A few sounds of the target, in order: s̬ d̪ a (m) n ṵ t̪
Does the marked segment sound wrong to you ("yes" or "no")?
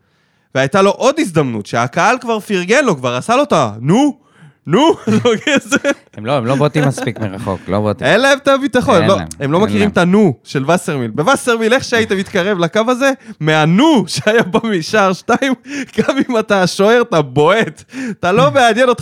no